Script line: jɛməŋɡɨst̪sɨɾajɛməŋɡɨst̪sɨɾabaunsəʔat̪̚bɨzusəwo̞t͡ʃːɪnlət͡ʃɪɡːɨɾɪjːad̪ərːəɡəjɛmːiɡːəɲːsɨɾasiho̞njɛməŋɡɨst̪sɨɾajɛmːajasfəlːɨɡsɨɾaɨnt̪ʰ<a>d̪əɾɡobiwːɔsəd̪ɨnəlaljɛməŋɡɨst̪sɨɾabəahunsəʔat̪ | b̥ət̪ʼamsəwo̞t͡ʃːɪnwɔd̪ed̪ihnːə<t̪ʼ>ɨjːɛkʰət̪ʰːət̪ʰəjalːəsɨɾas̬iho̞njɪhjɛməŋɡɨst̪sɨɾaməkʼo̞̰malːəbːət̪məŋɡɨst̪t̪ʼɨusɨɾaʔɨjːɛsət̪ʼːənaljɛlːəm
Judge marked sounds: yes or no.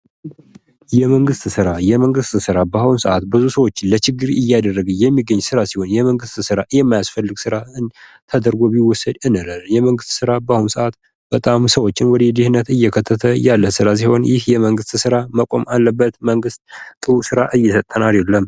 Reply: no, no

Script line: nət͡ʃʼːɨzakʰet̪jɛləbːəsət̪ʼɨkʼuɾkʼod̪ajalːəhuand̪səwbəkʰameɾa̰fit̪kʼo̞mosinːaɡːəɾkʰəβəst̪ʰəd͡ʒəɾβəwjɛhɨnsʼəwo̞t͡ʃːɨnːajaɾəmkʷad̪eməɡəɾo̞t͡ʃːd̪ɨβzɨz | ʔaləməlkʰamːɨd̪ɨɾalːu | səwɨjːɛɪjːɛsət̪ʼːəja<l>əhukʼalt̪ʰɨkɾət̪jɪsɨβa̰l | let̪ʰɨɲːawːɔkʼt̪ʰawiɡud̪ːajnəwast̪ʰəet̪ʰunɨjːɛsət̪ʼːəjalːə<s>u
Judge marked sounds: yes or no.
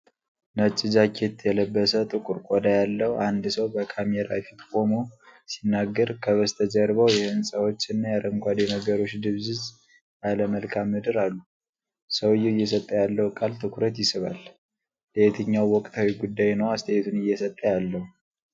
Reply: no, no

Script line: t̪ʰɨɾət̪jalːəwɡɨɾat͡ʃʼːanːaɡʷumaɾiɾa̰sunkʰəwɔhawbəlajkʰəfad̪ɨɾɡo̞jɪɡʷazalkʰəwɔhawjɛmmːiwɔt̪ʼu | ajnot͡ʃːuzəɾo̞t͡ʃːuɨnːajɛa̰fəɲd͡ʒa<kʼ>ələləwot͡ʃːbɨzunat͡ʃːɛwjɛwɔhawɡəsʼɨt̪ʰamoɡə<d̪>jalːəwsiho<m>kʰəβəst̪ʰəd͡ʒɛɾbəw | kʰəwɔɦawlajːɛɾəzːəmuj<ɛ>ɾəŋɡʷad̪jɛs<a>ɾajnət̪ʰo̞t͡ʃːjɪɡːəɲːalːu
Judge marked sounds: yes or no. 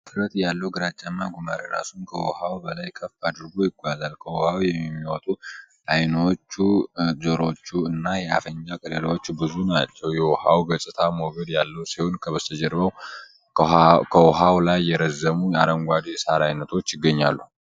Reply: yes, yes, no, no, yes

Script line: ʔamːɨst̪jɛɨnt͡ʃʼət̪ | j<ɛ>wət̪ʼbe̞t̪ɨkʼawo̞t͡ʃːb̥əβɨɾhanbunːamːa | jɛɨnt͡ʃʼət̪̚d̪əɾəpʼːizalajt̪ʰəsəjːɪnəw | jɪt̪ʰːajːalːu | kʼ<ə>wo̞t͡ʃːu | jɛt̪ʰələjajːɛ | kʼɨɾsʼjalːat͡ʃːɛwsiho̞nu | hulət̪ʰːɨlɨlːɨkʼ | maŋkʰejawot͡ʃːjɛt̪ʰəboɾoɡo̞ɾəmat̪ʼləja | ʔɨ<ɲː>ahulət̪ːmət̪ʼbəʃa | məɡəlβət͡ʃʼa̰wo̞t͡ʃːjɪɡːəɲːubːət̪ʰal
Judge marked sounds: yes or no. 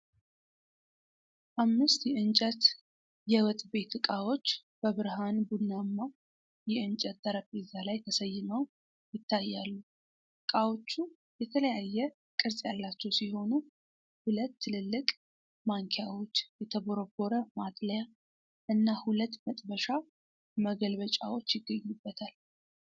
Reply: yes, no, no

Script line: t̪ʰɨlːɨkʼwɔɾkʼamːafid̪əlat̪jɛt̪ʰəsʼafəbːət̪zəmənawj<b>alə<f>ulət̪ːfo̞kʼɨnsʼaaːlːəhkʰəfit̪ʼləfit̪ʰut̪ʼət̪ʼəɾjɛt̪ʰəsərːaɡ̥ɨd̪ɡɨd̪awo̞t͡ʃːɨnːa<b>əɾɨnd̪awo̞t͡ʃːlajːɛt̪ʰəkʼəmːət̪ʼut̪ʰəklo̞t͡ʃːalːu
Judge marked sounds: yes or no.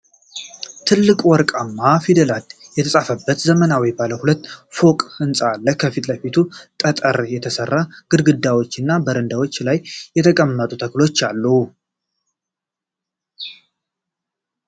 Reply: yes, no, yes

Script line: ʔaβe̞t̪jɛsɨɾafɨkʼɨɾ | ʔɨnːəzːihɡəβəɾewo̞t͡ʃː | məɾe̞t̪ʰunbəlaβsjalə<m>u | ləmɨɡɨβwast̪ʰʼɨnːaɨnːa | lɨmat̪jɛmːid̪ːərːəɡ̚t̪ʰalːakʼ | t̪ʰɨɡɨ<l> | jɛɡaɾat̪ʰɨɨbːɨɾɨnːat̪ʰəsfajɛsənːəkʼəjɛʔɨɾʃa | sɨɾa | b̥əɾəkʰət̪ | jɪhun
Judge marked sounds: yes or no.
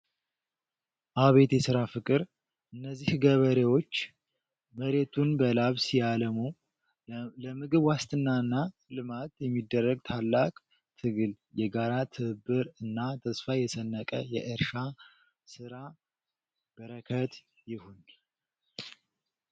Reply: yes, yes

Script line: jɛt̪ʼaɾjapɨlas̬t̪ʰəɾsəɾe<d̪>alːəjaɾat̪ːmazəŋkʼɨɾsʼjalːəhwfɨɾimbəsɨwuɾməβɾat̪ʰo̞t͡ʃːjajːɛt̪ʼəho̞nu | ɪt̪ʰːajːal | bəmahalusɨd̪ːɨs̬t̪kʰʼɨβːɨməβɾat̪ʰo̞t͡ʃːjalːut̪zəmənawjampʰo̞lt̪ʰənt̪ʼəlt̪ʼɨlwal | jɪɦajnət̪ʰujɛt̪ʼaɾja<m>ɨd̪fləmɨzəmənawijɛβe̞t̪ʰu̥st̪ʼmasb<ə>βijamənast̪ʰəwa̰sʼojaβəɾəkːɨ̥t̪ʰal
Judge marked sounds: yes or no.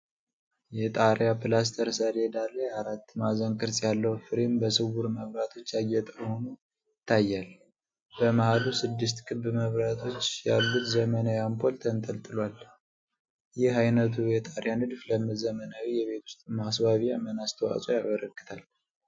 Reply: yes, no, no

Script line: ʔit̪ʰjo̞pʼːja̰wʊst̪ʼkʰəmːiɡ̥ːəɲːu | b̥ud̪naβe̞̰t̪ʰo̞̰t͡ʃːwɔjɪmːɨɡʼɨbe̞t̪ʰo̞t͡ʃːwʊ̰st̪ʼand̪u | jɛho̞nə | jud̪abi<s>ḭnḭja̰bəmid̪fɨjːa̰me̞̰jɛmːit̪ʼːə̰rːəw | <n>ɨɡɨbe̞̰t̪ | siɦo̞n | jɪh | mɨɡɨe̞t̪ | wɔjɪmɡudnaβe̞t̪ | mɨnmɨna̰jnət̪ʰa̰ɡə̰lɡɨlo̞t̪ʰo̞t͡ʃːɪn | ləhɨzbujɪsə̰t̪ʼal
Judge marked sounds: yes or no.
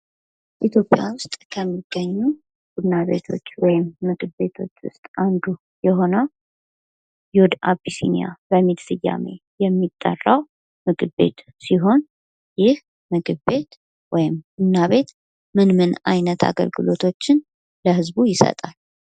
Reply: yes, no

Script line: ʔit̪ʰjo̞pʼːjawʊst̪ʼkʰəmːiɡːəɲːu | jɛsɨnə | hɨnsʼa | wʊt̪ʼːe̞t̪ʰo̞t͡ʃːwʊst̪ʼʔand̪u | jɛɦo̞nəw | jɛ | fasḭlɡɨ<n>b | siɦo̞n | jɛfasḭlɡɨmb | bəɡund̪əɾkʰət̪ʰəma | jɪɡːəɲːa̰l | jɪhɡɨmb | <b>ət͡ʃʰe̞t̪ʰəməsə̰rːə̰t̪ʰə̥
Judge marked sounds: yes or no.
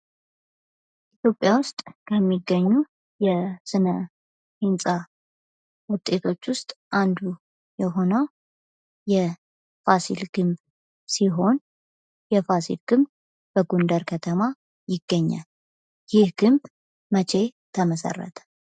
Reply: no, no

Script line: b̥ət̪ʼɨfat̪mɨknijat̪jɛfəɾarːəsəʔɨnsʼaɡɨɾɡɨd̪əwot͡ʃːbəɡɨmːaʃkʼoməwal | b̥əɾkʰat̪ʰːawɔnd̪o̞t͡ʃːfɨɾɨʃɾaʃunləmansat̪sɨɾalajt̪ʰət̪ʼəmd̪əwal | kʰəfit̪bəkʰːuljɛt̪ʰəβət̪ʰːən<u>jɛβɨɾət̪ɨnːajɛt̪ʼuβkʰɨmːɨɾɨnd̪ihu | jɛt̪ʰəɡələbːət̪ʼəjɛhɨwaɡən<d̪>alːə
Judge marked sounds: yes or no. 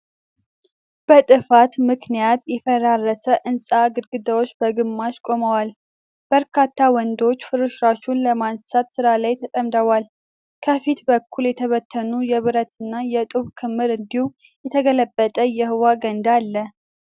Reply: yes, yes

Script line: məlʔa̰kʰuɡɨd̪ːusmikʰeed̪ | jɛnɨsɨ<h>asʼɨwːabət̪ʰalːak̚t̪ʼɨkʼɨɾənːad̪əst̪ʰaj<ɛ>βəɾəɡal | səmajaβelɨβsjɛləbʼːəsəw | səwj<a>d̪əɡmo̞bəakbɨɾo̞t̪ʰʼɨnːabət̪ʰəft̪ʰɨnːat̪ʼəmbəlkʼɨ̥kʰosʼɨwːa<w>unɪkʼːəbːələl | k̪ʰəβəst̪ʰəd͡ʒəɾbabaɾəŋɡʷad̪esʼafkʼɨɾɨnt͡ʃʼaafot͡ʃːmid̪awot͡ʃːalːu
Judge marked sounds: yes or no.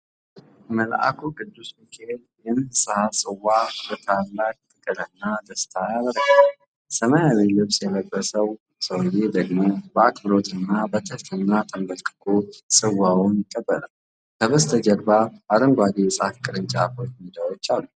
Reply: yes, no, no, yes

